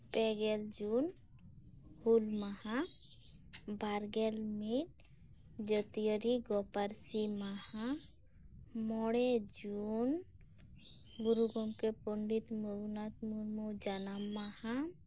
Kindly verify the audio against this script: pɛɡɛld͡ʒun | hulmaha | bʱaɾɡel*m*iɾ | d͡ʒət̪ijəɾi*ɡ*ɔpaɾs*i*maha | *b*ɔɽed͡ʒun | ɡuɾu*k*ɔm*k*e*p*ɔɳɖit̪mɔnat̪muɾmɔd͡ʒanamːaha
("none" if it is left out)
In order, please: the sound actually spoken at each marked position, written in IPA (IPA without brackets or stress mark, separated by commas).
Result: m, ɡ, i, m, ɡ, k, p